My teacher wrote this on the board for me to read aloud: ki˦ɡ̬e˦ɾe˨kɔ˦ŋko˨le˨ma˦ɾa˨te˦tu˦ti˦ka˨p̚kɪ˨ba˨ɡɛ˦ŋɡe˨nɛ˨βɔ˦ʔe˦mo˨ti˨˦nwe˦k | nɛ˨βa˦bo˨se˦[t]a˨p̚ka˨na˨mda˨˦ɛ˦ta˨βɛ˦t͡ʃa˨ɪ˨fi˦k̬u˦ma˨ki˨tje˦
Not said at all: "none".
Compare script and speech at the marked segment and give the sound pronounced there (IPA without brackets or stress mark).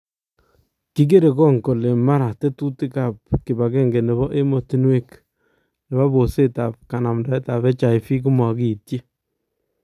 t